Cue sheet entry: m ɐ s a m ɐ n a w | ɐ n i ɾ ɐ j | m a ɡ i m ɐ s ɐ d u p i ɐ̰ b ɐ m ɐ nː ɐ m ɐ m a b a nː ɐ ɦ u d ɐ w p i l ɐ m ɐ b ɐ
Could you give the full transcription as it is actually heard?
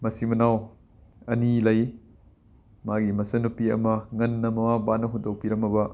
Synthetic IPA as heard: m ɐ s i m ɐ n a w | ɐ n i l ɐ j | m a ɡ i m ɐ s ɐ n u p i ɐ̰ m ɐ ŋ ɐ nː ɐ m ɐ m a b a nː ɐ ɦ u d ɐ w p i ɾ ɐ m ɐ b ɐ